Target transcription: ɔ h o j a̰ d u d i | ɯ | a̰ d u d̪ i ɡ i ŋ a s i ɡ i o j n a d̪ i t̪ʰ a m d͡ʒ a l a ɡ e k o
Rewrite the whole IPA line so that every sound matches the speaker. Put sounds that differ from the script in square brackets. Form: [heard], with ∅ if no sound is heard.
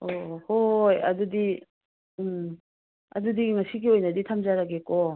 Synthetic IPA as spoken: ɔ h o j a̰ d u d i | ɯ | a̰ d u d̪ i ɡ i ŋ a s i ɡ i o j n a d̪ i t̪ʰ a m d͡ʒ a [ɾ] a ɡ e k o